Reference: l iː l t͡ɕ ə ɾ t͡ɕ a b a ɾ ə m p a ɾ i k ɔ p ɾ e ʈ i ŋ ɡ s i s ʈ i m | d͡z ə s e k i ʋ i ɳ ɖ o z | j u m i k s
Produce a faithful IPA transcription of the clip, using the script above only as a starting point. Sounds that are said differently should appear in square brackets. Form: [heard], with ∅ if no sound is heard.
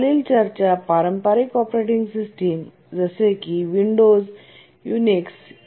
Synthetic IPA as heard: l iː l t͡ɕ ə ɾ t͡ɕ a [p] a ɾ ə m p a ɾ i k ɔ p ɾ e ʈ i ŋ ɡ s i s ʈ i m | d͡z ə s e k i ʋ i ɳ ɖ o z | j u [n] i k s